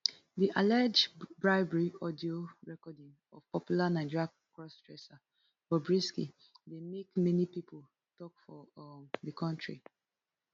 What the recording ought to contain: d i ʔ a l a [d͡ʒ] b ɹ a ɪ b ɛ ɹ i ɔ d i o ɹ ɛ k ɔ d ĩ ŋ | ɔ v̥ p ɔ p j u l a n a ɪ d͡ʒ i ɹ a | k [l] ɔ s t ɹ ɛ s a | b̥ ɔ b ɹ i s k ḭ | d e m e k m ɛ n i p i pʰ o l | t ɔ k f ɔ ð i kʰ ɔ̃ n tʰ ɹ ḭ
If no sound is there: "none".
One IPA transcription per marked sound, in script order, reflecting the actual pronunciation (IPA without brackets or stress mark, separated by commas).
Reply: d͡ʒ, ɹ